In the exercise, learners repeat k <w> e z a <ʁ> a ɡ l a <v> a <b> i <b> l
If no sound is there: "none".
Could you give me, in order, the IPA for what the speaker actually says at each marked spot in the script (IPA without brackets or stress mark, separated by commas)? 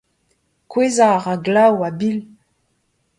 w, ʁ, w, b, none